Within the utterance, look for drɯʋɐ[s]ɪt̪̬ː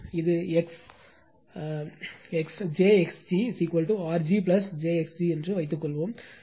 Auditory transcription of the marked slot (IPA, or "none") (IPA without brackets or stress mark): none